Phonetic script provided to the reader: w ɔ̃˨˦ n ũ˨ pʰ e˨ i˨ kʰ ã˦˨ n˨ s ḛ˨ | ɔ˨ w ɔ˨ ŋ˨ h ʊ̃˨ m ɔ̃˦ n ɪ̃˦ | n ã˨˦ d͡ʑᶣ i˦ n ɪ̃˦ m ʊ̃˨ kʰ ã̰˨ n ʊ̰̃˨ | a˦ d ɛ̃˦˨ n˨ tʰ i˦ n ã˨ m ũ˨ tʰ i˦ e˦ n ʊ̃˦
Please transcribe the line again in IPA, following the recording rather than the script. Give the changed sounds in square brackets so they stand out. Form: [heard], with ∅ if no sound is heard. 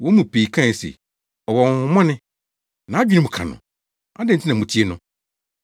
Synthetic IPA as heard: w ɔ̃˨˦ [m] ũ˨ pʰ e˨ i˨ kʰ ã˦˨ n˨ s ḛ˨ | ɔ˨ w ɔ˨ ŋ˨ h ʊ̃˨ m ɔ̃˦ n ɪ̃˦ | n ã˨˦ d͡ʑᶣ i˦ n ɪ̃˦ m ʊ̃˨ kʰ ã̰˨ n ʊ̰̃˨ | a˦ d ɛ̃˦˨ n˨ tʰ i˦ n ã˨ m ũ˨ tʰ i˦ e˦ n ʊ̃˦

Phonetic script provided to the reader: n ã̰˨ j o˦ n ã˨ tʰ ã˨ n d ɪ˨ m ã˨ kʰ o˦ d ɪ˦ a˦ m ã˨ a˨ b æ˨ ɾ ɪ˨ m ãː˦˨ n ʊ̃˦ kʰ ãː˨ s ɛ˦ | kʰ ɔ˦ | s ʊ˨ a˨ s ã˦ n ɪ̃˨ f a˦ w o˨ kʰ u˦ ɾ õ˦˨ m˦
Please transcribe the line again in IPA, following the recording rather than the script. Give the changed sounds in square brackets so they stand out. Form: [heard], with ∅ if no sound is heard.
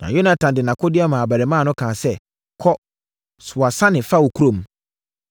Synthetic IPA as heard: n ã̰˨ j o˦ n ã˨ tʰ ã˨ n d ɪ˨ [n] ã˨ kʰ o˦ d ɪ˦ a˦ m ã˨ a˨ b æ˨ ɾ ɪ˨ m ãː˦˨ n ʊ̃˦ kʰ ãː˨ s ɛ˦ | kʰ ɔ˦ | s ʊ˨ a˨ s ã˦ n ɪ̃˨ f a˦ w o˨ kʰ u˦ ɾ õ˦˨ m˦

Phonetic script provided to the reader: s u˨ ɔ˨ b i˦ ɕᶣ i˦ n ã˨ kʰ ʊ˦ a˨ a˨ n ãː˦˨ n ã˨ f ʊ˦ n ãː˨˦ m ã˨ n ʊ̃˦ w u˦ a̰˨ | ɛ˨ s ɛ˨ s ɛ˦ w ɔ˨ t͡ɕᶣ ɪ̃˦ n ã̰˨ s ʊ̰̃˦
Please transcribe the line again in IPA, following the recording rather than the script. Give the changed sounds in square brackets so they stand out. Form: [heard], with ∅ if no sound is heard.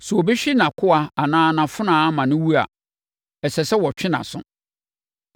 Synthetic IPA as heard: s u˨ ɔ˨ b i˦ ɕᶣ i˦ n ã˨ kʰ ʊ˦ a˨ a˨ n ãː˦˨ n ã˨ f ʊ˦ n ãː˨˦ m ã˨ n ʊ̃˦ w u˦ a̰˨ | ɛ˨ s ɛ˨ s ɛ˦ w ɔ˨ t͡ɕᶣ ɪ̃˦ n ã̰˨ s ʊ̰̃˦

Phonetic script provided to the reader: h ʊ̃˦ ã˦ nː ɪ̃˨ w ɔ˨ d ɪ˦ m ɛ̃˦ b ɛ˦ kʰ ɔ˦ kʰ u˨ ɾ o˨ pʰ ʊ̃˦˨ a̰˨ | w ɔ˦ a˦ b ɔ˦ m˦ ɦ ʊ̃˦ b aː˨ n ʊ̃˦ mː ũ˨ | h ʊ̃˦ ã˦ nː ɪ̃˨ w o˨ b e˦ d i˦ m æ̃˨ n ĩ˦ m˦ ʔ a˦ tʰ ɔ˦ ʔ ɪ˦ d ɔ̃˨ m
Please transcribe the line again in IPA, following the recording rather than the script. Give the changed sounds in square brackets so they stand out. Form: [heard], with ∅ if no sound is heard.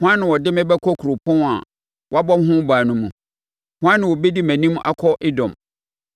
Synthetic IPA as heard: h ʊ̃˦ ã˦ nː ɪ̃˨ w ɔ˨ d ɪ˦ m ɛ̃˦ b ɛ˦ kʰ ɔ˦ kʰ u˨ ɾ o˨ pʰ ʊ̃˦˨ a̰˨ | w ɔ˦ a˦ b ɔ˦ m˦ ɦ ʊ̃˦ b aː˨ n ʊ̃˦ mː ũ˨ | h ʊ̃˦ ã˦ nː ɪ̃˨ w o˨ b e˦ d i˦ m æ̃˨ n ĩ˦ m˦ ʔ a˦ [kʰ] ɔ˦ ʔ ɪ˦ d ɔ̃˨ m

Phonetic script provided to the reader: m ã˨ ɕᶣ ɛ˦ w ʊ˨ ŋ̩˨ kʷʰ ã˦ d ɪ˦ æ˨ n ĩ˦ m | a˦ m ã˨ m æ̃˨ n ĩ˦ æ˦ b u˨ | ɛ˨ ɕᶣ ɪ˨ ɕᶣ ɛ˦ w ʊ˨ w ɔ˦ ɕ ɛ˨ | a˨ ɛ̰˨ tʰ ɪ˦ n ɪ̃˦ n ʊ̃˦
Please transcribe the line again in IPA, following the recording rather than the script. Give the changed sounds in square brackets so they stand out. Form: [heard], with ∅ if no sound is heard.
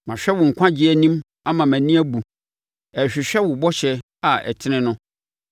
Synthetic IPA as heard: m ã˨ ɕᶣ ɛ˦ w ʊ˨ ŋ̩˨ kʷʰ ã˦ [d͡ʑ] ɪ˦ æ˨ n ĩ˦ m | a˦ m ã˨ m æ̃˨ n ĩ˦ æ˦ b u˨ | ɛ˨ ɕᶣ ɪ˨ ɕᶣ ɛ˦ w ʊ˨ [b] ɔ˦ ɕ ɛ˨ | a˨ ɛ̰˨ tʰ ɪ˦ n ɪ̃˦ n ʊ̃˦

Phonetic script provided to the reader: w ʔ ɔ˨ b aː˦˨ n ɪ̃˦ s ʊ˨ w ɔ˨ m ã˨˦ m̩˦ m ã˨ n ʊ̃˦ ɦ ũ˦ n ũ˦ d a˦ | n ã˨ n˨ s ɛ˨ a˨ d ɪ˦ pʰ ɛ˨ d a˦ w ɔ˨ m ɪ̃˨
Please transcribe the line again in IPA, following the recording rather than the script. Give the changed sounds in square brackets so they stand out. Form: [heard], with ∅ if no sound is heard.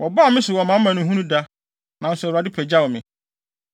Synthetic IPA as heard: w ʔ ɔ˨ b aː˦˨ [m] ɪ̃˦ s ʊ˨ w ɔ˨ m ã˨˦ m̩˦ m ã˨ n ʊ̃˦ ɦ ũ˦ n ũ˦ d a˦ | n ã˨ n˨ s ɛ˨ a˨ d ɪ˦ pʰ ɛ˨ [d͡ʑ] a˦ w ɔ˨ m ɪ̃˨

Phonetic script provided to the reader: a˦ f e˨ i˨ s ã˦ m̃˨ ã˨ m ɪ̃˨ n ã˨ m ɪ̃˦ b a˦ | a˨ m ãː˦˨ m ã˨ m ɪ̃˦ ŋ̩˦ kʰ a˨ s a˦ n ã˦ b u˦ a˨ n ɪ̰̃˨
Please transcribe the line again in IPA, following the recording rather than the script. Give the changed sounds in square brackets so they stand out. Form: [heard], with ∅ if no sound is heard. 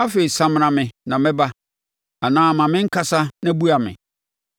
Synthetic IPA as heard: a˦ f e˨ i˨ s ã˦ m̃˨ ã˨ m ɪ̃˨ n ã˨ m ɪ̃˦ b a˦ | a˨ [n] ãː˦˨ m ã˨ m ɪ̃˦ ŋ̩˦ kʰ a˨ s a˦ n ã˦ b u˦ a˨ [m] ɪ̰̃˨

